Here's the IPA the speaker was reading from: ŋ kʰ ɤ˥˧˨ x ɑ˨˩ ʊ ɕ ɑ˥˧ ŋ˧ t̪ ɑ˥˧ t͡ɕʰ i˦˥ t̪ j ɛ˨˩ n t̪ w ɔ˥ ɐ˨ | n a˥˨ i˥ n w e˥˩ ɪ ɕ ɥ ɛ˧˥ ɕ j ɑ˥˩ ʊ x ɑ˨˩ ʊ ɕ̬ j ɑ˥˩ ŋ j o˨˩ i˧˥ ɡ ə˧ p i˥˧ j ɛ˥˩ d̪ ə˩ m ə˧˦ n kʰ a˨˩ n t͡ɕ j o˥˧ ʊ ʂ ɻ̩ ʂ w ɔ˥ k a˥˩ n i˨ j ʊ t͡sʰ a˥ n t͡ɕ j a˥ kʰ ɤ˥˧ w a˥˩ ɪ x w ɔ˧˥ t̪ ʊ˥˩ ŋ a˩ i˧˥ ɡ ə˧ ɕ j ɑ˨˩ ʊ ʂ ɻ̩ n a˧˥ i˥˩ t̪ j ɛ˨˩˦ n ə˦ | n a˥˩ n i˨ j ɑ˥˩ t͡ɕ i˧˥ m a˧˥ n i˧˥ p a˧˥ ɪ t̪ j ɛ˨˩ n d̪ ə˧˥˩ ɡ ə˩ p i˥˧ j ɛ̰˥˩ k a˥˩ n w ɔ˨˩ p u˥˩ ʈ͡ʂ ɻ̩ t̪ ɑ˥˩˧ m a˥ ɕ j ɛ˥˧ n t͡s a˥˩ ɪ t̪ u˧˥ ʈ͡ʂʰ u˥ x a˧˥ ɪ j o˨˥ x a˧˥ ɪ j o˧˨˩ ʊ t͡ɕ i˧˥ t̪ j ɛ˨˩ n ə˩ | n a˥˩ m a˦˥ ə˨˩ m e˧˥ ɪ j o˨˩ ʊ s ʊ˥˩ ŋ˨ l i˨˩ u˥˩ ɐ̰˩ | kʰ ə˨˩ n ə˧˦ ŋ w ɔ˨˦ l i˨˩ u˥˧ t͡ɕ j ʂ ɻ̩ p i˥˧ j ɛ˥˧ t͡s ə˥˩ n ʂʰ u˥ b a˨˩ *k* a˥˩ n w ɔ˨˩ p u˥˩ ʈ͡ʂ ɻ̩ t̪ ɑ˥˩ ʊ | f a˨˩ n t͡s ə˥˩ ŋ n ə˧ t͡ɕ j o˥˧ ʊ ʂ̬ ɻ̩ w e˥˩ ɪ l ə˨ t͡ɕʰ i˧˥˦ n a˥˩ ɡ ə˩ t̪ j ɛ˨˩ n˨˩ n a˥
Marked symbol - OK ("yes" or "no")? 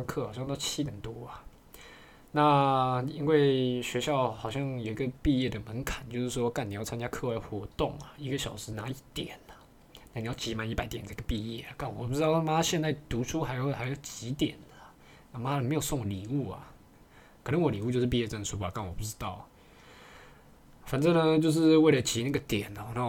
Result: yes